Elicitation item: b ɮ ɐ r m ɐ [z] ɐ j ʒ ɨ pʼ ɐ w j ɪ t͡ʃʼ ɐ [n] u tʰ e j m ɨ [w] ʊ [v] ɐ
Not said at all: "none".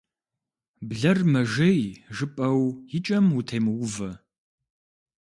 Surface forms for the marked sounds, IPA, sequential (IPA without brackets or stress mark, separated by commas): ʒ, m, w, v